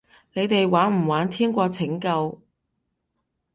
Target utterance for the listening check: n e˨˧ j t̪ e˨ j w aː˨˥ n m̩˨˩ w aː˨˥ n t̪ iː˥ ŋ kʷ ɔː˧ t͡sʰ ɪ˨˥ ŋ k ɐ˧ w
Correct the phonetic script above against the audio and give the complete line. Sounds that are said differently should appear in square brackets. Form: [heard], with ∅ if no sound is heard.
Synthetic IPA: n e˨˧ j t̪ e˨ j w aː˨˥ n m̩˨˩ w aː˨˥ n [t̪ʰ] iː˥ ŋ kʷ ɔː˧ t͡sʰ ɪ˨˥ ŋ k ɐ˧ w